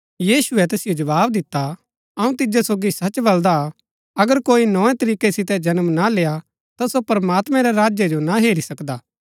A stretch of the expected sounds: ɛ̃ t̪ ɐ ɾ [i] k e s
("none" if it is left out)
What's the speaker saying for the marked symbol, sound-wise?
iː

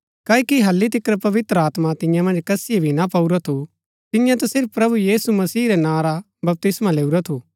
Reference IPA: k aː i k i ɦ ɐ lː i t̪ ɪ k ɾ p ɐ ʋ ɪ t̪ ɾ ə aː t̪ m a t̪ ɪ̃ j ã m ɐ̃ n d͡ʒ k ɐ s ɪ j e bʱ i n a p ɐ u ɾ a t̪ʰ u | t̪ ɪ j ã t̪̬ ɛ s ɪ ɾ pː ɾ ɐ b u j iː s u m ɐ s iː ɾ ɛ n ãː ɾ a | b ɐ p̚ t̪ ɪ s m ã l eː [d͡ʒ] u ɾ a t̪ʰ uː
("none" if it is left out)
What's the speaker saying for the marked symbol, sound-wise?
none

